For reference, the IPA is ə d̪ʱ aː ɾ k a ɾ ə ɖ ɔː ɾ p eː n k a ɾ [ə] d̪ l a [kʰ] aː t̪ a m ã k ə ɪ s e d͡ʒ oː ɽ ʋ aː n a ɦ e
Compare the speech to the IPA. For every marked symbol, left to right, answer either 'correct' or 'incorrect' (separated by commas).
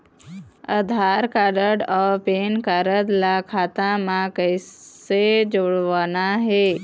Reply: correct, correct